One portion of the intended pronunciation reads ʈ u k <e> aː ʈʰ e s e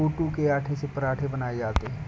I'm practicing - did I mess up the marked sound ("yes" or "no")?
no